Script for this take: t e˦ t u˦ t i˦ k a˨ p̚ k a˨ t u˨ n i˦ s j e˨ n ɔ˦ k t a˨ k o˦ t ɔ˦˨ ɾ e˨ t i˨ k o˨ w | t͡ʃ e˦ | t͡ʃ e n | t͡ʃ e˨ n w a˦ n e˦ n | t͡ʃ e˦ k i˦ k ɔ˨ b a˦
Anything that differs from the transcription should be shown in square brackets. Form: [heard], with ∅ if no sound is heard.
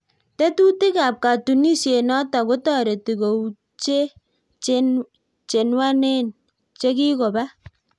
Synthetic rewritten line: t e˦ t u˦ t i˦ k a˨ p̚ k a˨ t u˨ n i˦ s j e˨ n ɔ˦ [∅] t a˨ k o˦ t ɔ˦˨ ɾ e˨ t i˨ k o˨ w | t͡ʃ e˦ | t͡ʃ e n | t͡ʃ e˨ n w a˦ n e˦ n | t͡ʃ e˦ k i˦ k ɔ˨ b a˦